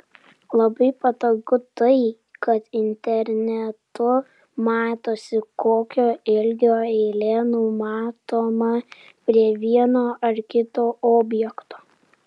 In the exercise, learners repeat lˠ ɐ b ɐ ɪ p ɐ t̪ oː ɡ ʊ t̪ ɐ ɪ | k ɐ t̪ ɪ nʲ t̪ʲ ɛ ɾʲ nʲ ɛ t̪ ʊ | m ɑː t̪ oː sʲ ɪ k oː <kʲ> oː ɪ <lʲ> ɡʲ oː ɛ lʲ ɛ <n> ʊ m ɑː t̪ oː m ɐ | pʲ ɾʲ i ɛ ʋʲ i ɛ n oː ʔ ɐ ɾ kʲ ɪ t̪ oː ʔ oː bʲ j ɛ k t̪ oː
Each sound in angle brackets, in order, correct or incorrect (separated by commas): correct, correct, correct